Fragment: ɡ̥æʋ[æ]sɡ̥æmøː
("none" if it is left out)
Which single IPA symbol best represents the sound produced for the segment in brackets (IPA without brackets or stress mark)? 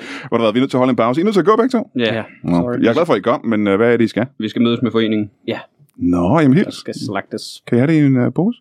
i